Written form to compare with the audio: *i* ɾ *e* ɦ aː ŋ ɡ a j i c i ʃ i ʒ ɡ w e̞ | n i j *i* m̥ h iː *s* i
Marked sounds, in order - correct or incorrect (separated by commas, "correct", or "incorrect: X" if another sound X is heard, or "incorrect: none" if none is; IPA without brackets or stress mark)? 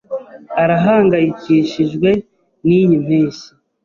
incorrect: a, incorrect: a, correct, correct